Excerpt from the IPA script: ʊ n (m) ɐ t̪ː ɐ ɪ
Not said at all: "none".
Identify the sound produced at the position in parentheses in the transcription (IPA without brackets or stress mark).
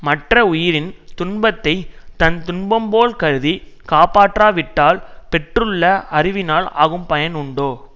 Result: b